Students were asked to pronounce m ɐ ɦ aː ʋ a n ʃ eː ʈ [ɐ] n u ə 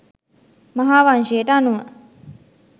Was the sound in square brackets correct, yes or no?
no